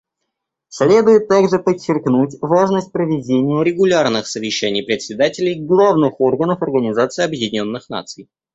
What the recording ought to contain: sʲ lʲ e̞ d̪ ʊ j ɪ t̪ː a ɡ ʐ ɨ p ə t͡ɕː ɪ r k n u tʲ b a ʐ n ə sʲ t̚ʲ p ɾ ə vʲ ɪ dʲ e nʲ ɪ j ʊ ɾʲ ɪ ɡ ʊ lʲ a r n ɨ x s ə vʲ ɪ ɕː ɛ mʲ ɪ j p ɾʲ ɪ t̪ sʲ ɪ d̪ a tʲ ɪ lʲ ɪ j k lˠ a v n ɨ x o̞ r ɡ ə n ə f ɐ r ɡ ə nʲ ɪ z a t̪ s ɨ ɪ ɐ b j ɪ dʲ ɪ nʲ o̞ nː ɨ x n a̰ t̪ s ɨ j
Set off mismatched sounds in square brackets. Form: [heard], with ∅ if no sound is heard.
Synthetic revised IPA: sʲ lʲ e̞ d̪ ʊ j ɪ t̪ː a ɡ ʐ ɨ p ə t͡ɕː ɪ r k n u tʲ [v] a ʐ n ə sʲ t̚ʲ p ɾ ə vʲ ɪ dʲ e nʲ ɪ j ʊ ɾʲ ɪ ɡ ʊ lʲ a r n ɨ x s ə vʲ ɪ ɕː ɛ [nʲ] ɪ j p ɾʲ ɪ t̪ sʲ ɪ d̪ a tʲ ɪ lʲ ɪ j [ɡ] lˠ a v n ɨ x o̞ r ɡ ə n ə f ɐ r ɡ ə nʲ ɪ z a t̪ s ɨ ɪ ɐ b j ɪ dʲ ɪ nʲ o̞ nː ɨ x n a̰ t̪ s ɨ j